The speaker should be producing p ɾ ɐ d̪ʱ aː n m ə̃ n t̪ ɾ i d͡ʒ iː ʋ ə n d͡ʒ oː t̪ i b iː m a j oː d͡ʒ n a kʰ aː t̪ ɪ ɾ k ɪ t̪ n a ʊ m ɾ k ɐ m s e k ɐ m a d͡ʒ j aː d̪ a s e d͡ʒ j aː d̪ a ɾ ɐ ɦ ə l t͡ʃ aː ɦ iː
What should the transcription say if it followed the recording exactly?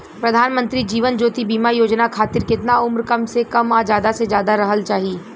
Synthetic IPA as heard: p ɾ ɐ d̪ʱ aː n m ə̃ n t̪ ɾ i d͡ʒ iː ʋ ə n d͡ʒ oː t̪ i b iː m a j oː d͡ʒ n a kʰ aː t̪ ɪ ɾ k ɪ t̪ n a ʊ m ɾ k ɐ m s e k ɐ m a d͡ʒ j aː d̪ a s e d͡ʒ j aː d̪ a ɾ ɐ ɦ ə l t͡ʃ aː ɦ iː